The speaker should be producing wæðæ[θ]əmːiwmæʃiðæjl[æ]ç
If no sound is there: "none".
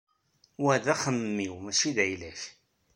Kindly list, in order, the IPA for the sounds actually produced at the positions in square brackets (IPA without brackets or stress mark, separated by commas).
χ, æ